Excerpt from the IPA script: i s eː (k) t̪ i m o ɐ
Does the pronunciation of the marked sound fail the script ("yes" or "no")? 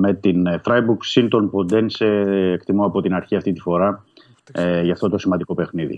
no